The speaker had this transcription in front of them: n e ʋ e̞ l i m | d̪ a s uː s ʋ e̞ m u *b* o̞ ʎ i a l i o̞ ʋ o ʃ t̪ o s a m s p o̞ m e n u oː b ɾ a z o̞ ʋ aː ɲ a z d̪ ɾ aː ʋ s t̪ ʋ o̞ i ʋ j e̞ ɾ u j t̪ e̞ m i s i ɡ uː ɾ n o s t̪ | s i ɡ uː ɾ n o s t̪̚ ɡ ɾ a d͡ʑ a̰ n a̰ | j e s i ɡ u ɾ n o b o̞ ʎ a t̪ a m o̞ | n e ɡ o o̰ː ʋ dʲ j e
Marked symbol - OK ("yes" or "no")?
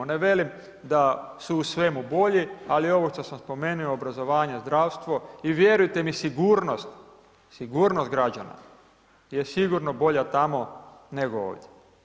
yes